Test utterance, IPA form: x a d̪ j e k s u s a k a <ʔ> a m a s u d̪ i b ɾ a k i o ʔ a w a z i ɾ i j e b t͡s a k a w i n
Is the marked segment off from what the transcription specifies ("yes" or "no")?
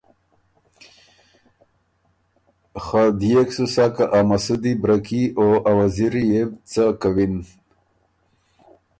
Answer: no